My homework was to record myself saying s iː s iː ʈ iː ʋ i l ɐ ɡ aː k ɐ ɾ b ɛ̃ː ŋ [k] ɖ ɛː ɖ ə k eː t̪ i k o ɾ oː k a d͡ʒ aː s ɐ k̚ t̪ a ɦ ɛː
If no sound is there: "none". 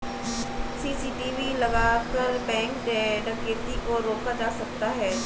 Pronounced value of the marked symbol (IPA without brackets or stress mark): k